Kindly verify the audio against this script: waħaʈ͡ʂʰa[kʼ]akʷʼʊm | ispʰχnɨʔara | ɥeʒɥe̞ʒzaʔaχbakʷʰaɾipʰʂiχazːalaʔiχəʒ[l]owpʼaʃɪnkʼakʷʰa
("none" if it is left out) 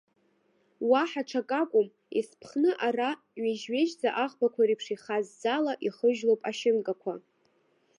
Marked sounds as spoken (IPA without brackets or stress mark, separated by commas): kʼ, l